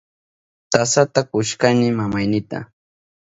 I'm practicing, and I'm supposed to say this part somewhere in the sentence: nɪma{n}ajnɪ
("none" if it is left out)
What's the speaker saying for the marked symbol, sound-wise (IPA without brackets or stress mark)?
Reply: m